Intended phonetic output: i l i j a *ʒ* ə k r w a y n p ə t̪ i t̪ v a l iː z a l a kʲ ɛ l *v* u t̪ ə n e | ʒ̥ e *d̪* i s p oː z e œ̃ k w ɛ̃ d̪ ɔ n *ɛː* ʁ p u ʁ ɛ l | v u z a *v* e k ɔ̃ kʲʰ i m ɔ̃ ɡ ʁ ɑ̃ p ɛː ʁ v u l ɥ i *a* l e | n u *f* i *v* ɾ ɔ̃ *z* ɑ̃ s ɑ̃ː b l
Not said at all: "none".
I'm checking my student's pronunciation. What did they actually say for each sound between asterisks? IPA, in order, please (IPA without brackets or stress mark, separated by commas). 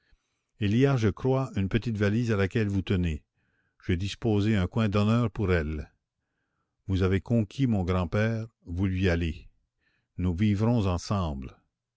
ʒ, v, d̪, œː, v, a, v, v, z